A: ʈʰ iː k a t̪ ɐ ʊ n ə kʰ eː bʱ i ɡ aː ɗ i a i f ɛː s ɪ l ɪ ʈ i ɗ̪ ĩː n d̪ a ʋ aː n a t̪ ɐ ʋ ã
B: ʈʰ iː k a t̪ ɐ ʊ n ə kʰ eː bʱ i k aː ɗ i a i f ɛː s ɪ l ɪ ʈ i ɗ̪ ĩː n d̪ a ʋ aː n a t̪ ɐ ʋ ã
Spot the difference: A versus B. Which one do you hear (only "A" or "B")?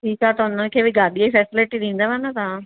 A